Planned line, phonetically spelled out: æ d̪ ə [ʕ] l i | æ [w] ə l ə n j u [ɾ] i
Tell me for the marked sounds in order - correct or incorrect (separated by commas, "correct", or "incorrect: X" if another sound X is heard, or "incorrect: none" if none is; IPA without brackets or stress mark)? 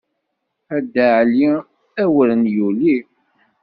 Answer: correct, correct, incorrect: l